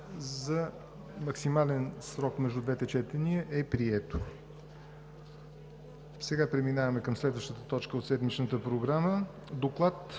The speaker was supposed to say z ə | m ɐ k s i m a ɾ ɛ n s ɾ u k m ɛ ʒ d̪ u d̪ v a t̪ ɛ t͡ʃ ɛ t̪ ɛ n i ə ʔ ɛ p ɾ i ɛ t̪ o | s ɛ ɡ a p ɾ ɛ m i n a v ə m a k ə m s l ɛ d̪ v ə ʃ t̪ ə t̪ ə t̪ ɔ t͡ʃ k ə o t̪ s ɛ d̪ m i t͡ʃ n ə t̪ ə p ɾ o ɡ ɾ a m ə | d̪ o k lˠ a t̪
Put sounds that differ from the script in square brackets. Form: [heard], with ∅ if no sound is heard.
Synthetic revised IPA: z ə | m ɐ k s i m a [l] ɛ n s ɾ [ɔ] k m ɛ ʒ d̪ u d̪ v [ɛ] t̪ ɛ t͡ʃ ɛ t̪ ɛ n i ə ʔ ɛ p ɾ i ɛ t̪ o | s ɛ ɡ a p ɾ ɛ m i n a v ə m [ɛ] k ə m s l ɛ d̪ v ə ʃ t̪ ə t̪ ə t̪ ɔ t͡ʃ k ə o t̪ s ɛ d̪ m i t͡ʃ n ə t̪ ə p ɾ o ɡ ɾ a m ə | d̪ o k lˠ a t̪